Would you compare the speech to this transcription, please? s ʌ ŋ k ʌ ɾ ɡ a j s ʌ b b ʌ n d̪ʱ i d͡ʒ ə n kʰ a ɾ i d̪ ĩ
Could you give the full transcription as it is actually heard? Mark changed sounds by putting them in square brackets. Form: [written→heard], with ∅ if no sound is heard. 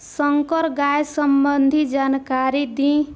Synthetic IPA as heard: s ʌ ŋ k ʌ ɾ ɡ a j s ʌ [b→m] b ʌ n d̪ʱ i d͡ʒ [ə→a] n [kʰ→k] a ɾ i d̪ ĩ

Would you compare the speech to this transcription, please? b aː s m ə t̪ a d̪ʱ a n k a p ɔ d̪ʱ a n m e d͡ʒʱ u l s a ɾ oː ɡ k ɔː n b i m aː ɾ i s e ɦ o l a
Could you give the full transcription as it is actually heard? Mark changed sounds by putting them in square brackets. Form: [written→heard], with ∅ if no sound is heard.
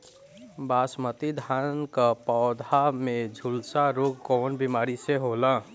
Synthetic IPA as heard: b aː s m ə t̪ [a→i] d̪ʱ a n k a p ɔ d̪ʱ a [n→∅] m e d͡ʒʱ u l s a ɾ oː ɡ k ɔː n b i m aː ɾ i s e ɦ o l a

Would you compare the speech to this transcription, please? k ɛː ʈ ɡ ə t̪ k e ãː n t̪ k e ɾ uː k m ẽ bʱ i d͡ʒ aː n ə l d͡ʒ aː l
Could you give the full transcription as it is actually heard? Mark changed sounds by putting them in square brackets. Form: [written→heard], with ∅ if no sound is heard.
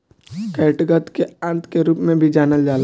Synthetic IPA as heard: k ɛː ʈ ɡ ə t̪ k e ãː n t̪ k e ɾ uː [k→p] m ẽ bʱ i d͡ʒ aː n ə l d͡ʒ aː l

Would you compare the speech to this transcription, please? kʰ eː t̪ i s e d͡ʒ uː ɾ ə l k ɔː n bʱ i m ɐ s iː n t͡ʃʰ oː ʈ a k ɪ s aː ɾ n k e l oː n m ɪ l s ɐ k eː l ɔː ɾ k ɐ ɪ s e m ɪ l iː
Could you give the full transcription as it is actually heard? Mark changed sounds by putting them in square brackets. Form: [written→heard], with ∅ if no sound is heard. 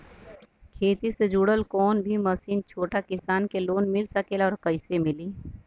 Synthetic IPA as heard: kʰ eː t̪ i s e d͡ʒ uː [ɾ→ɽ] ə l k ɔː n bʱ i m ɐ s iː n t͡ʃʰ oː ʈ a k ɪ s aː [ɾ→∅] n k e l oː n m ɪ l s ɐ k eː l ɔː ɾ k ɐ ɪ s e m ɪ l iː

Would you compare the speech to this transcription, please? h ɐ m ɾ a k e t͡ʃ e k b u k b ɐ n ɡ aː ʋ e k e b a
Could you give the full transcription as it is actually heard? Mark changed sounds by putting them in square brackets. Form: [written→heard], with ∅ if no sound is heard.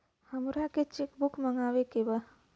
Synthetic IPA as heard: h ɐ m ɾ a k e t͡ʃ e k b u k [b→m] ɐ [n→ŋ] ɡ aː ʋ e k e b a

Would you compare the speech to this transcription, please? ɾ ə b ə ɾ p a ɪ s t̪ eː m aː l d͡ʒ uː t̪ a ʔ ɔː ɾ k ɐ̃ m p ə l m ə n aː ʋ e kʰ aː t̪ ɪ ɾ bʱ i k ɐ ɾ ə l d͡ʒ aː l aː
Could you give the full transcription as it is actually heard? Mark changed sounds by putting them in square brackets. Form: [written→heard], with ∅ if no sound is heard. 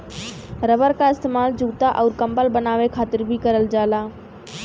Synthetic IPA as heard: ɾ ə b ə ɾ [p→k] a ɪ s t̪ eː m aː l d͡ʒ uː t̪ a ʔ ɔː ɾ k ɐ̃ m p ə l [m→b] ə n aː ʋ e kʰ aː t̪ ɪ ɾ bʱ i k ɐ ɾ ə l d͡ʒ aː l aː

